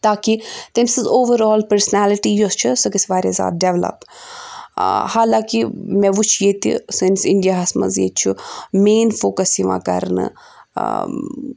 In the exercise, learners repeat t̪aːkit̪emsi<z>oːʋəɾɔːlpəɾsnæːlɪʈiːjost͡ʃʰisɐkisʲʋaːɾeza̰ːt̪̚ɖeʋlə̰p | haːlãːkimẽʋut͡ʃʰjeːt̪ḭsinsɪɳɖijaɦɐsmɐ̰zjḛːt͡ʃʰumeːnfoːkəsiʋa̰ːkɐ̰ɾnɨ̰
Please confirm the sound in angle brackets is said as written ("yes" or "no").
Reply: yes